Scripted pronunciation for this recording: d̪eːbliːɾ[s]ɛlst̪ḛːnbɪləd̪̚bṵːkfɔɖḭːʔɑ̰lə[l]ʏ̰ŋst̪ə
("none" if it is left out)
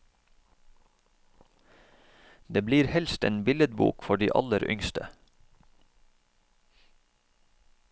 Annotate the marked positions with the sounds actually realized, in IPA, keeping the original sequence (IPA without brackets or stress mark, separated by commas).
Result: h, ɾ